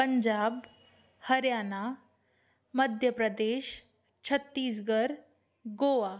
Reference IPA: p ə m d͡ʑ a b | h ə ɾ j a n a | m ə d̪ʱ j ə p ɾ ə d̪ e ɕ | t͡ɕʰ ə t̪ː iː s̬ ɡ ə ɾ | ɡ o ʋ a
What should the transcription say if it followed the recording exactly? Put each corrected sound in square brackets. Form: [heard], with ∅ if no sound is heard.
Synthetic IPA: p ə [ɲ] d͡ʑ a b | h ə ɾ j a n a | m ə d̪ʱ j ə p ɾ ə d̪ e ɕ | t͡ɕʰ ə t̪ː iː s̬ ɡ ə ɾ | ɡ o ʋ a